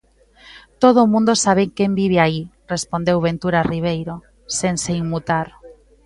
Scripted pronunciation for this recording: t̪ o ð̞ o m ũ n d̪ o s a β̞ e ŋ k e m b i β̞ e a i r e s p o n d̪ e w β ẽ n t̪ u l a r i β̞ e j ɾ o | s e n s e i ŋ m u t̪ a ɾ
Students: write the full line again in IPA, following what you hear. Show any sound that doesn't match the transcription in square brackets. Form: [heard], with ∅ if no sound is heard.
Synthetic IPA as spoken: t̪ o ð̞ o m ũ n d̪ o s a β̞ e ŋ k e m b i β̞ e a i r e s p o n d̪ e w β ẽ n t̪ u [ɾ] a r i β̞ e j ɾ o | s e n s e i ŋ m u t̪ a ɾ